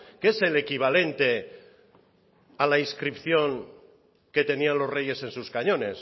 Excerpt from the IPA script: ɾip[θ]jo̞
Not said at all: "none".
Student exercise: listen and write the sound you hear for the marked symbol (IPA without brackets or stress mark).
θ